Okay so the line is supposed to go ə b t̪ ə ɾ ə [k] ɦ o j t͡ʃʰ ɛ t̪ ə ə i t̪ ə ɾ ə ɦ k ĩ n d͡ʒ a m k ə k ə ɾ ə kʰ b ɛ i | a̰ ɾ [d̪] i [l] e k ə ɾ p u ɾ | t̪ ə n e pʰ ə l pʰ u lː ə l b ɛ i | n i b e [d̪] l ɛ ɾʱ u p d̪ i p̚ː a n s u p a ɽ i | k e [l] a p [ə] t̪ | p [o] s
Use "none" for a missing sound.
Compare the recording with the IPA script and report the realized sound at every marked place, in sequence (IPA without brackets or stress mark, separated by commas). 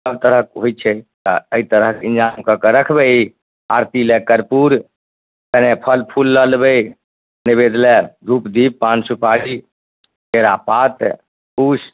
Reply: k, t̪, l, d̪, ɾ, a, u